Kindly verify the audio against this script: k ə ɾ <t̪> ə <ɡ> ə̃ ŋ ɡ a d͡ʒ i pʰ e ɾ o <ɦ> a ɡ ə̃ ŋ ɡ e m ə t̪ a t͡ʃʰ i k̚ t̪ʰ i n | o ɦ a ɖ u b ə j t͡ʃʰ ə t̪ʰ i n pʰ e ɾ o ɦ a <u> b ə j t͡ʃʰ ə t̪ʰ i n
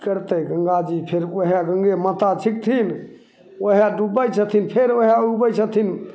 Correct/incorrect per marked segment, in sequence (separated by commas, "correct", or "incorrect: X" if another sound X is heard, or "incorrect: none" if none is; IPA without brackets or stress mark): correct, correct, correct, correct